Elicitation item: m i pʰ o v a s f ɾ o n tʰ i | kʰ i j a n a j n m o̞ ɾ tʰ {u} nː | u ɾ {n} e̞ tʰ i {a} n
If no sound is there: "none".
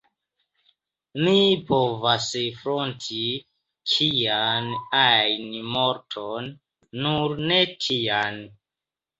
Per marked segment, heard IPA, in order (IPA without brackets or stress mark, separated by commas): o, n, a